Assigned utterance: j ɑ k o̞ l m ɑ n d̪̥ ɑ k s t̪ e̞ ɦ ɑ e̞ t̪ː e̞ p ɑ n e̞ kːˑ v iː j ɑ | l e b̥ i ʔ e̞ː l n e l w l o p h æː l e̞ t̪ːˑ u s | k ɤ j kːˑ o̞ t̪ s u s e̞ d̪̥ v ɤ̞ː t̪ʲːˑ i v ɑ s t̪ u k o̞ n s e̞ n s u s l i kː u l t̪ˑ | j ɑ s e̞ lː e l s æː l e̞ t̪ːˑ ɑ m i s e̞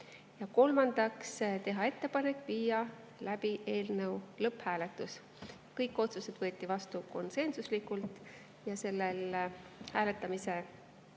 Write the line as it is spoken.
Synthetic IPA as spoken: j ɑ k o̞ l m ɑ n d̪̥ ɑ k s t̪ e̞ ɦ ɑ e̞ t̪ː e̞ p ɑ n e̞ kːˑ v iː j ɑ | l æ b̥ i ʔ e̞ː l n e w l ɤ p h æː l e̞ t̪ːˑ u s | k ɤ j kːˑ o̞ t̪ s u s e̞ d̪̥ v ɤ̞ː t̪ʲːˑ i v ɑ s t̪ u k o̞ n s e̞ n s u s l i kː u l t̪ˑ | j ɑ s e̞ lː e l h æː l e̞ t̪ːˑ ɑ m i s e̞